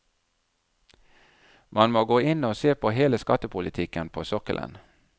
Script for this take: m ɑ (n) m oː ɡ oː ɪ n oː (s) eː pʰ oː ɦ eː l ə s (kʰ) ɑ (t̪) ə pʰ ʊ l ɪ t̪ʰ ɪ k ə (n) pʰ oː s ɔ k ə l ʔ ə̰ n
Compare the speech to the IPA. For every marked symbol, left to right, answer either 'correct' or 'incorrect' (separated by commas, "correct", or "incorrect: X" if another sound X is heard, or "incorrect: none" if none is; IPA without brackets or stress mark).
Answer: correct, correct, incorrect: k, correct, correct